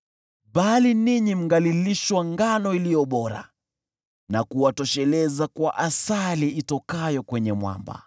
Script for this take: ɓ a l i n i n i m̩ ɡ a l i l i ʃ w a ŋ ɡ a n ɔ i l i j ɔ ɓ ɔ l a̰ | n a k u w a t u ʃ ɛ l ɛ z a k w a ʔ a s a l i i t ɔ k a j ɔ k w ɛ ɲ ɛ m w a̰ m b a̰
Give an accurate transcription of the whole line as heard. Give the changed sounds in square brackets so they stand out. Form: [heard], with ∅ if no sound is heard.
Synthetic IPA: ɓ a l i n i [ɲ] i m̩ ɡ a l i l i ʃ w a ŋ ɡ a n ɔ i l i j ɔ ɓ ɔ [ɾ] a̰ | n a k u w a t [ɔ] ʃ ɛ l ɛ z a k w a ʔ a s a l i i t ɔ k a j ɔ k w ɛ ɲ ɛ m w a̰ m b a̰